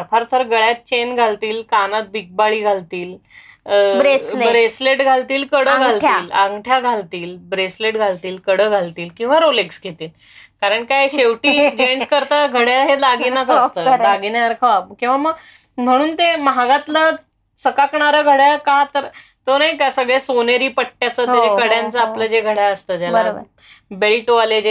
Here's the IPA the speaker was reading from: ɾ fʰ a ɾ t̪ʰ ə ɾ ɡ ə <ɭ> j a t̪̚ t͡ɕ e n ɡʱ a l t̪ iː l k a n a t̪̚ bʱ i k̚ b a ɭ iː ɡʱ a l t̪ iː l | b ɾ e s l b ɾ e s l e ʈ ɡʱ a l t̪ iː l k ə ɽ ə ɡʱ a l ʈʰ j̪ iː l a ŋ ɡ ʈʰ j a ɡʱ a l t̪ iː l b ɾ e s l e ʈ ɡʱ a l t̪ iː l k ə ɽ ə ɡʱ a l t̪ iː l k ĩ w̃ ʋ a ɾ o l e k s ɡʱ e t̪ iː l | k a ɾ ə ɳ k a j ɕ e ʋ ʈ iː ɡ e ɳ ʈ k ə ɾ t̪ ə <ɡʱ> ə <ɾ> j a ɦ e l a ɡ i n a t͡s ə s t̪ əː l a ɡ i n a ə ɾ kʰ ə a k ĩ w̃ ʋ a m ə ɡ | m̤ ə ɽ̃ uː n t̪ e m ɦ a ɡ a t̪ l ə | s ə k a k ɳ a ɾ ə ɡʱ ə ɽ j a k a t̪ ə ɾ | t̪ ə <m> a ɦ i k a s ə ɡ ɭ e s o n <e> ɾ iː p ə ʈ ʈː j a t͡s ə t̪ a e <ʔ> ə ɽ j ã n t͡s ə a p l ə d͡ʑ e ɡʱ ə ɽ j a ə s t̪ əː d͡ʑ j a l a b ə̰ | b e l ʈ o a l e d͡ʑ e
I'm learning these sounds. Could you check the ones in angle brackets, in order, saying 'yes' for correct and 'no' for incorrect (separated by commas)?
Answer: yes, yes, no, no, yes, no